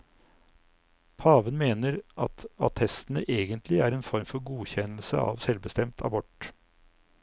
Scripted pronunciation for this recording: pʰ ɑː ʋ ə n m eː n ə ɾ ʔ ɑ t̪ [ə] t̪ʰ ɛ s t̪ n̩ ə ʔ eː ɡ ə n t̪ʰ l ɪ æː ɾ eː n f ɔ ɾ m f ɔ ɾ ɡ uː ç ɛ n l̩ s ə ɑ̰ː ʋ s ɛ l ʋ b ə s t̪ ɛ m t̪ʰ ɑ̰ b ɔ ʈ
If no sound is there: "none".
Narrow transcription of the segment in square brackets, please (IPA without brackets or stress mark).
ɑ